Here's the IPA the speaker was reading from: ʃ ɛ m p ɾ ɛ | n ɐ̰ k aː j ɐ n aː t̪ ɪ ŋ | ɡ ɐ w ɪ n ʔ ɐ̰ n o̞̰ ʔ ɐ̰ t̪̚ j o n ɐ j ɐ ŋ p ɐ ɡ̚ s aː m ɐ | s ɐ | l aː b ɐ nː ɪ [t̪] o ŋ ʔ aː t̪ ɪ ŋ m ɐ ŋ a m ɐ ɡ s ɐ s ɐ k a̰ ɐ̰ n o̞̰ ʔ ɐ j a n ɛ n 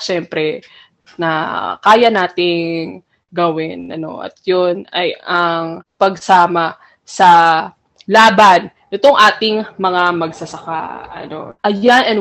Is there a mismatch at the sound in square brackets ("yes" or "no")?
no